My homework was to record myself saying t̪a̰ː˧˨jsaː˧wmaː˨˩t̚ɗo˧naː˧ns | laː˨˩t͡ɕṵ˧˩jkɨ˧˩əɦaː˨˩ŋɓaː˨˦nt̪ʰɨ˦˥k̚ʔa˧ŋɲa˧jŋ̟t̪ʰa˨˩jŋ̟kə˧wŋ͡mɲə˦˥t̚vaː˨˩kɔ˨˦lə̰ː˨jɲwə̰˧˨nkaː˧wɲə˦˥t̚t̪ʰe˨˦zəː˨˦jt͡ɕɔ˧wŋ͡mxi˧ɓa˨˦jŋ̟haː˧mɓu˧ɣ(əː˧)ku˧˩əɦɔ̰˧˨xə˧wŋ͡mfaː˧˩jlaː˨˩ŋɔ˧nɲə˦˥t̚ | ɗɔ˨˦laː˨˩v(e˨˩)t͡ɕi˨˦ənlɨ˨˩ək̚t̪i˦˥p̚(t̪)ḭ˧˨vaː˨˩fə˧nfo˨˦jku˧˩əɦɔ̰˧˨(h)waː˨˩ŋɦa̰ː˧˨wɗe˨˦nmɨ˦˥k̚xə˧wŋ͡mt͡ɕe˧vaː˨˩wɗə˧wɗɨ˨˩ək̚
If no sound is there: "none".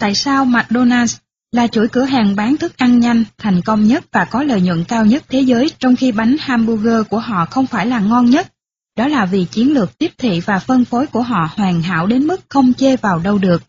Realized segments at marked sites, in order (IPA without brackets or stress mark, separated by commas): əː˧, i˨˩, t̪ʰ, h